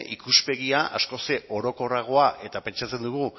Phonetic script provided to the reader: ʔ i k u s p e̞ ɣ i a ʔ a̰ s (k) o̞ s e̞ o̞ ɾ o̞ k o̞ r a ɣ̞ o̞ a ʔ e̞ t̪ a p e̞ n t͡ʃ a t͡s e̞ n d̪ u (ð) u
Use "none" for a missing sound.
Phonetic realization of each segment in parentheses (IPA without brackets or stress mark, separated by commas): k, ɣ